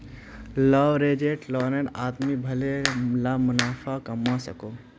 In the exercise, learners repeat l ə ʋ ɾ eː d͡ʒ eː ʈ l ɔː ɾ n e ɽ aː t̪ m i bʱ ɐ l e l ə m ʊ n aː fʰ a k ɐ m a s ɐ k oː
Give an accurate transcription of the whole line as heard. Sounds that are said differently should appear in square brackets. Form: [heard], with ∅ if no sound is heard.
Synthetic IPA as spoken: l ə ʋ ɾ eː d͡ʒ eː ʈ l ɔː [∅] n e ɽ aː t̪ m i bʱ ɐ l e l [a] m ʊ n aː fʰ a k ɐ m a s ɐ k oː